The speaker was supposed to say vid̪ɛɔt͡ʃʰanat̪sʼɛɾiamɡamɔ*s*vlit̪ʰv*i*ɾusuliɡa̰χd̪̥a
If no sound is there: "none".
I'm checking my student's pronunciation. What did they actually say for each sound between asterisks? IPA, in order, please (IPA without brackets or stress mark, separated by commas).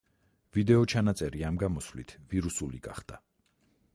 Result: s, i